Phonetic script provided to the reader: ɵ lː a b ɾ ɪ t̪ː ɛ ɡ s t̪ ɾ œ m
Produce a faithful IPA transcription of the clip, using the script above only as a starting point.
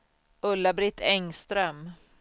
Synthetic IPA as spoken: ɵ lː a b ɾ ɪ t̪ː ɛ ŋ s t̪ ɾ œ m